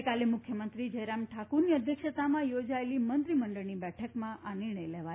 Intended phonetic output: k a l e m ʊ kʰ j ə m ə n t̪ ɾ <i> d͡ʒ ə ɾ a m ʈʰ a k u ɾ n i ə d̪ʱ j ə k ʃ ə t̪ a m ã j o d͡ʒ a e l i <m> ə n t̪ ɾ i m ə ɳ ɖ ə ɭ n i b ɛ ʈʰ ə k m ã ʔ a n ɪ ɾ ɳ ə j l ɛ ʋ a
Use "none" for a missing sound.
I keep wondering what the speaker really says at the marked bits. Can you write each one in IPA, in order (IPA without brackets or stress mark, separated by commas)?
i, m